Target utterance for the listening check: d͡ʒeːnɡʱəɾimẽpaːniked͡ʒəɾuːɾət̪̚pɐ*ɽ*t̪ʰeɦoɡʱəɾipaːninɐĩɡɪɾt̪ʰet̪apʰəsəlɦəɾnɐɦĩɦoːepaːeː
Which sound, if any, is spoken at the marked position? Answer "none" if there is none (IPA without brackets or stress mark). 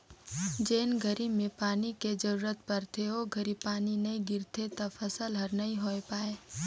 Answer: ɾ